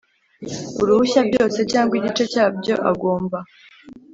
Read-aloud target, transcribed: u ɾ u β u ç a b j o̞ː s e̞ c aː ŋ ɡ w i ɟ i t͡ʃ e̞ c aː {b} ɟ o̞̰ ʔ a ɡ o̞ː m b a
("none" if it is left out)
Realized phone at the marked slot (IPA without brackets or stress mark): b